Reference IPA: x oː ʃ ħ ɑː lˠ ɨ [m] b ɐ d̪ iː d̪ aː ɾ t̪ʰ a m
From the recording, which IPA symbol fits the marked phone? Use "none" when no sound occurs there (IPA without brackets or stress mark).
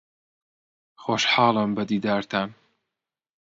m